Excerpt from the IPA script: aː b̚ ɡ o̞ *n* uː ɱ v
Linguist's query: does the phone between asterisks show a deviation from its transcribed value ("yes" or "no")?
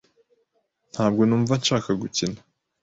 no